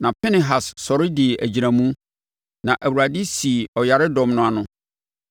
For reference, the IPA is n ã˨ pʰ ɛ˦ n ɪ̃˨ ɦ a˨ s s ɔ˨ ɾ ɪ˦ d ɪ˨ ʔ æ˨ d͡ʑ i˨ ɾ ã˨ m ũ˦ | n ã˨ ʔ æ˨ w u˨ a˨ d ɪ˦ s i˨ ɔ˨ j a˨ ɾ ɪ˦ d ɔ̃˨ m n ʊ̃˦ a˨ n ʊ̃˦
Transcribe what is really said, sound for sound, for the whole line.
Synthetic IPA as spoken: n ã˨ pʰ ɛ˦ n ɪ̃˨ ɦ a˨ s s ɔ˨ ɾ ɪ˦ d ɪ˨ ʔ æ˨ d͡ʑ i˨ ɾ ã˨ m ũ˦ | n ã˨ ʔ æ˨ w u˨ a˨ d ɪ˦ s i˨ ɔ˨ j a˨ ɾ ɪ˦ d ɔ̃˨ m n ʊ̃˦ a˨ n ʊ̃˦